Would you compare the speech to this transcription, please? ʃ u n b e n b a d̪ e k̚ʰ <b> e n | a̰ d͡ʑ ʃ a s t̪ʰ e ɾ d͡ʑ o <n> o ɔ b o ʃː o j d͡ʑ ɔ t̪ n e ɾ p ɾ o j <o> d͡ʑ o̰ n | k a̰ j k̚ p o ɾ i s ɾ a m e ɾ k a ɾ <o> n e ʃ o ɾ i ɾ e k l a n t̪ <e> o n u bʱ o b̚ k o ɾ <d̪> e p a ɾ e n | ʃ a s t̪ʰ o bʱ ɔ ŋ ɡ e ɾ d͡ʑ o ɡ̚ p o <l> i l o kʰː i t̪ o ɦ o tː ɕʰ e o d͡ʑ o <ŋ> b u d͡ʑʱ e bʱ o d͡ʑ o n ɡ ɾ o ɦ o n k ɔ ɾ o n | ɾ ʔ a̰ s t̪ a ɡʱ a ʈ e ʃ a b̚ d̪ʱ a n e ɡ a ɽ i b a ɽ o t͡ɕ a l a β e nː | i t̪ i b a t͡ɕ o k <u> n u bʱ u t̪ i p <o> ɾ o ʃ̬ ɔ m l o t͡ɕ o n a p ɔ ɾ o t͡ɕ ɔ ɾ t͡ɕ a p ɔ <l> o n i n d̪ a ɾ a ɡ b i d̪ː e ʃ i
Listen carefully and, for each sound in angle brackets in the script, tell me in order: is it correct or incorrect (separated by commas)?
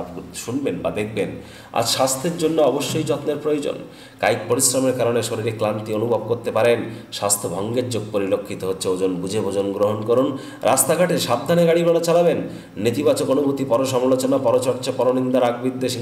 correct, incorrect, correct, correct, incorrect, incorrect, incorrect, incorrect, incorrect, incorrect, incorrect